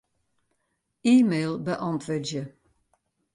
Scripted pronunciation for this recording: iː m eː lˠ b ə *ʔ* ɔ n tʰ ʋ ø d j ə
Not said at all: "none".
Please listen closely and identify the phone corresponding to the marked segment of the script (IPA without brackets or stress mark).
ʔ